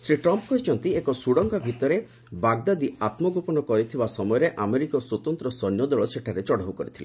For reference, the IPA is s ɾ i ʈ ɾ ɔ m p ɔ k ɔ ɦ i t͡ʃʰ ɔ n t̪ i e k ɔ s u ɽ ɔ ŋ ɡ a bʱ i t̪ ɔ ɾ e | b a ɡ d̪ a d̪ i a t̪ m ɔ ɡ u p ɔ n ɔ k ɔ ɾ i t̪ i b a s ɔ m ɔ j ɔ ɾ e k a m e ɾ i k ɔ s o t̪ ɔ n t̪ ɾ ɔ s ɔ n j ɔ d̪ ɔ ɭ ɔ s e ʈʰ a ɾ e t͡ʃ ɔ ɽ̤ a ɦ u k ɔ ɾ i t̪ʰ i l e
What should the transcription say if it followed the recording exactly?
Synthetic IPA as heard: s ɾ i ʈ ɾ ɔ m p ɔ k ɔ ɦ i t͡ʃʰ ɔ n t̪ i e k ɔ s u ɽ ɔ ŋ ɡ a bʱ i t̪ ɔ ɾ e | b a ɡ d̪ a d̪ i a t̪ m ɔ ɡ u p ɔ n ɔ k ɔ ɾ i t̪ʰ i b a s ɔ m ɔ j ɔ ɾ e ʔ a m e ɾ i k ɔ s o t̪ ɔ n t̪ ɾ ɔ s ɔ n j ɔ d̪ ɔ ɭ ɔ s e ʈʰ a ɾ e t͡ʃ ɔ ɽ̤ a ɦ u k ɔ ɾ i t̪ʰ i l e

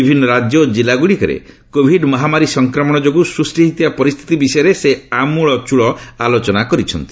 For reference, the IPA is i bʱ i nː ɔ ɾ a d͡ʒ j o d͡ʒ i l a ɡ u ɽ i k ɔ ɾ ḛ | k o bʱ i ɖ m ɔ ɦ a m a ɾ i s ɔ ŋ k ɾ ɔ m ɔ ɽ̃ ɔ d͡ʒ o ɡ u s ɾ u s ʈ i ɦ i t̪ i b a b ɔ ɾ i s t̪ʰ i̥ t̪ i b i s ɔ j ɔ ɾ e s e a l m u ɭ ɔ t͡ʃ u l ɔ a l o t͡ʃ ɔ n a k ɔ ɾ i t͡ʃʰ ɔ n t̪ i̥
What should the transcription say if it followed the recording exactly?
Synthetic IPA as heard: i bʱ i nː ɔ ɾ a d͡ʒ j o d͡ʒ i l a ɡ u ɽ i k ɔ ɾ ḛ | k o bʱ i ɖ m ɔ ɦ a m a ɾ i s ɔ ŋ k ɾ ɔ m ɔ ɽ̃ ɔ d͡ʒ o ɡ u s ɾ u s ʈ i ɦ i t̪ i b a p ɔ ɾ i s t̪ʰ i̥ t̪ i b i s ɔ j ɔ ɾ e s e a m u ɭ ɔ t͡ʃ u ɭ ɔ a l o t͡ʃ ɔ n a k ɔ ɾ i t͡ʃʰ ɔ n t̪ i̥

